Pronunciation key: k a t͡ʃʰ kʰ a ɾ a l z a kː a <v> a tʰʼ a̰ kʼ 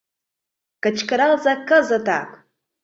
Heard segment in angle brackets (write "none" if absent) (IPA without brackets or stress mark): z